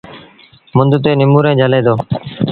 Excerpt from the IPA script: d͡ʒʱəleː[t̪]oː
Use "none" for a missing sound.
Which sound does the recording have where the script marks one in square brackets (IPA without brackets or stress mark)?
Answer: d̪